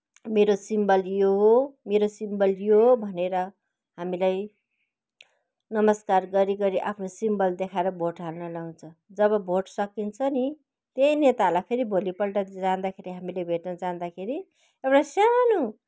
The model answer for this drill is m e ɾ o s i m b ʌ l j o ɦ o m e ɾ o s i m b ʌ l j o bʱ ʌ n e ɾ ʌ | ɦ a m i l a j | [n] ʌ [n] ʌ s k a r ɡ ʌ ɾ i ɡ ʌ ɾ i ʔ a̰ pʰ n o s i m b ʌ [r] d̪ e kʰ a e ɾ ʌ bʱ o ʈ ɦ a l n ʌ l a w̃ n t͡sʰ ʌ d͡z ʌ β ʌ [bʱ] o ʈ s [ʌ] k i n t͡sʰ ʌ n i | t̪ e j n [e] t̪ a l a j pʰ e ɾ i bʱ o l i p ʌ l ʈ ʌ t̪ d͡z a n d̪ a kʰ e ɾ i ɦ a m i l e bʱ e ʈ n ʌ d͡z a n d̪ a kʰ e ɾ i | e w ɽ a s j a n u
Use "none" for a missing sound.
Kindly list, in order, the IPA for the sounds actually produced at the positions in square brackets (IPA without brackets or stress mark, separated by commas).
n, m, l, bʱ, ʌ, e